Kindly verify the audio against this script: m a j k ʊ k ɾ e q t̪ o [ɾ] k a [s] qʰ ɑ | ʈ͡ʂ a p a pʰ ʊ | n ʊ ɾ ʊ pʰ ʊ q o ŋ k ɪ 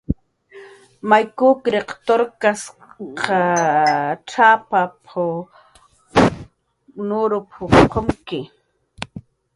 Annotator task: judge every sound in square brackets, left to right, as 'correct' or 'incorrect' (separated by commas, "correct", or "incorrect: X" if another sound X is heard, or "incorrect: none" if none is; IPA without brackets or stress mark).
correct, correct